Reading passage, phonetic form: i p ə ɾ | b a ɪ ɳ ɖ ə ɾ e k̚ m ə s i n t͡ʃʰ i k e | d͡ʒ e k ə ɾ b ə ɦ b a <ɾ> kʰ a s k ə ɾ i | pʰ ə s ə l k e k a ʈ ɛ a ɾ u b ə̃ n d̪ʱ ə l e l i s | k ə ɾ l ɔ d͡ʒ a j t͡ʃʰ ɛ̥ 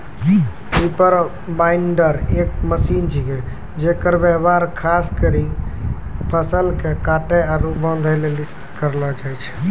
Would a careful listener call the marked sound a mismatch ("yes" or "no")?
no